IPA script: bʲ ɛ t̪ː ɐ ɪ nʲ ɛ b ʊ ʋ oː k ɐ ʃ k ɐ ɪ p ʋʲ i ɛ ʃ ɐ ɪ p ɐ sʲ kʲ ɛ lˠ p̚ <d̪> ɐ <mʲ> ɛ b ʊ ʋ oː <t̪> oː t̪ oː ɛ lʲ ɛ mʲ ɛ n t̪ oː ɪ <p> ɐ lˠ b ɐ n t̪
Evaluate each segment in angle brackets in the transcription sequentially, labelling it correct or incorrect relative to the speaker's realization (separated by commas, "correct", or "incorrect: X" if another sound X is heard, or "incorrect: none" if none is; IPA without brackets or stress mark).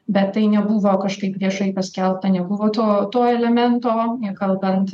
incorrect: t̪, incorrect: nʲ, correct, incorrect: k